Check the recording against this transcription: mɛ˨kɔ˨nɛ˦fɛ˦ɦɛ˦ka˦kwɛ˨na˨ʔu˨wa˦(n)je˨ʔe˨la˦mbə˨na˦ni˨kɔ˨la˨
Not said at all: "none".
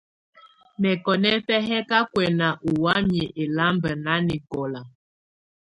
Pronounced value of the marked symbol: m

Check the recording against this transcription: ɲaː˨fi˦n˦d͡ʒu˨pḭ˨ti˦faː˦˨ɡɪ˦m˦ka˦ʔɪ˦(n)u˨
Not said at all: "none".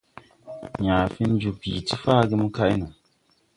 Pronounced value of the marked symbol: n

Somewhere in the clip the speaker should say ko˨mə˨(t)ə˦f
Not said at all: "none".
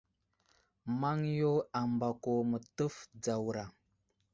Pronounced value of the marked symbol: t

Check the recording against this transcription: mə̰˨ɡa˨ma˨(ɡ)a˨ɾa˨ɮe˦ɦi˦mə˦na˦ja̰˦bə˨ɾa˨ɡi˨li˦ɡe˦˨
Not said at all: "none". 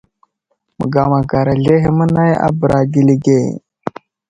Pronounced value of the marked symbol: ɡ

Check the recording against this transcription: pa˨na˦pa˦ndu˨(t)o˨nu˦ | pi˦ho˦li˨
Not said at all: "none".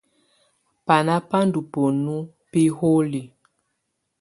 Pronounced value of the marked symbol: p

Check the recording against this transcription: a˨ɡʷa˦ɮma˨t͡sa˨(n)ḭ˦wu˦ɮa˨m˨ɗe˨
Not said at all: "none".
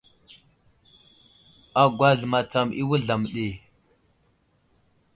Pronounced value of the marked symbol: m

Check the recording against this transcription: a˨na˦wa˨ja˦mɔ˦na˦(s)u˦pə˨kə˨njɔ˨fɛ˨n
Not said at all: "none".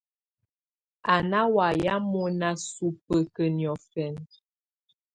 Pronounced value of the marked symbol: s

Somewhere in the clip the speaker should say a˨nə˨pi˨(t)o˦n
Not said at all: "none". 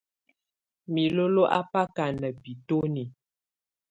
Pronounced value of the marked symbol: t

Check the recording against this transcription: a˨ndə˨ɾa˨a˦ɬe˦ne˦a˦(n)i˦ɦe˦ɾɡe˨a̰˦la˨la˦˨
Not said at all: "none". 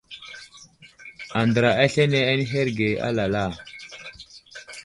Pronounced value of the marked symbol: n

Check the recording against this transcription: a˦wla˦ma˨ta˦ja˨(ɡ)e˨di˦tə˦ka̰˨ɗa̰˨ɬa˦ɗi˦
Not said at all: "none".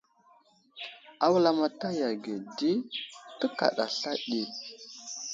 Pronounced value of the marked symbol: ɡ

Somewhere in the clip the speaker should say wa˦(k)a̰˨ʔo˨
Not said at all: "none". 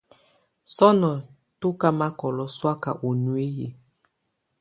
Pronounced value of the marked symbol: k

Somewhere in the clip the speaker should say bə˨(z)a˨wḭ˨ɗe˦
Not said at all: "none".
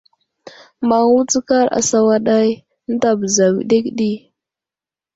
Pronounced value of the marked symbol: z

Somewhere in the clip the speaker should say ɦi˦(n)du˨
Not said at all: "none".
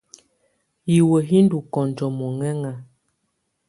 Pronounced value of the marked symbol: n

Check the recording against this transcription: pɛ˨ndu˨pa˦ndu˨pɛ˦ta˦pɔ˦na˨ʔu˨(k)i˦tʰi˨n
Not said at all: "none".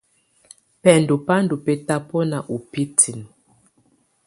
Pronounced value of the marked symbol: p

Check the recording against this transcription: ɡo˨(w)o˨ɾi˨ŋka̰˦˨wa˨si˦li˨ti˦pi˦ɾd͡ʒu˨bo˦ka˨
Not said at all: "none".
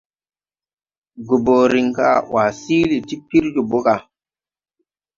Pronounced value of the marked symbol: b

